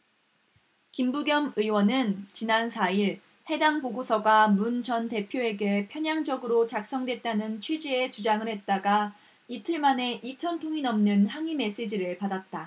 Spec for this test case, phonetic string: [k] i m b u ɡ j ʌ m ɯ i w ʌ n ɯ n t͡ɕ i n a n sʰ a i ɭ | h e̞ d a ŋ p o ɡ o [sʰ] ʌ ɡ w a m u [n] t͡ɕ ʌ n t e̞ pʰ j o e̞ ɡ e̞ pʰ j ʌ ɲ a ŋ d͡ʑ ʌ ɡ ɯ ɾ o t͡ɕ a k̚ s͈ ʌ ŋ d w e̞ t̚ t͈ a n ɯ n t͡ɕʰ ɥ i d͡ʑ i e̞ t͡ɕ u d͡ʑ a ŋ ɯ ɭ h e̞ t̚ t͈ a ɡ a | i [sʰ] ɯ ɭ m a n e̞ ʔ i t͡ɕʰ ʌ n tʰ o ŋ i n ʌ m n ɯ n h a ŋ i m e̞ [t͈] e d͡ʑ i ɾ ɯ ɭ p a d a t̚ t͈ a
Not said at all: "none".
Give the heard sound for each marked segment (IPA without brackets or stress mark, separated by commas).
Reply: k, sʰ, n, tʰ, s͈